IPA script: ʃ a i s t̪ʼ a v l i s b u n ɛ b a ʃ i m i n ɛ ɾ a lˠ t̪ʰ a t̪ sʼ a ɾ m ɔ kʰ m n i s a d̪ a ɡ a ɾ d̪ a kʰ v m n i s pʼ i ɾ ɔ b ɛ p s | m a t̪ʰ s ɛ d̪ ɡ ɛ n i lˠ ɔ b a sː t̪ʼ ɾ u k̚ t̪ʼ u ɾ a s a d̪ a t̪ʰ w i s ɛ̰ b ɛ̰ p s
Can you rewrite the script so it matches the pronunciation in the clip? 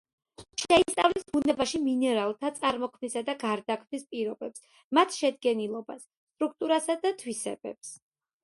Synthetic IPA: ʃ ɛ i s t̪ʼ a v l i s b u n ɛ b a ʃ i m i n ɛ ɾ a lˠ t̪ʰ a t̪ sʼ a ɾ m ɔ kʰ m n i s a d̪ a ɡ a ɾ d̪ a kʰ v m n i s pʼ i ɾ ɔ b ɛ p s | m a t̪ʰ ʃ ɛ d̪ ɡ ɛ n i lˠ ɔ b a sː t̪ʼ ɾ u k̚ t̪ʼ u ɾ a s a d̪ a t̪ʰ w i s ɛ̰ b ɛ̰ p s